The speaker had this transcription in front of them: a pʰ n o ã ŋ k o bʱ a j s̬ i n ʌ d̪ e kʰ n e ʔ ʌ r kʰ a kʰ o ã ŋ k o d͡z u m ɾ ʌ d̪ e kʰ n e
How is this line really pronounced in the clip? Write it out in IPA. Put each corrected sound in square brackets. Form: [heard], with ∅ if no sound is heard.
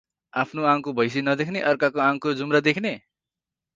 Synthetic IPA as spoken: a pʰ n o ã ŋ k o bʱ [ʌ] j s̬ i n ʌ d̪ e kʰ n e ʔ ʌ r [k] a [k] o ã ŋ k o d͡z u m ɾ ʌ d̪ e kʰ n e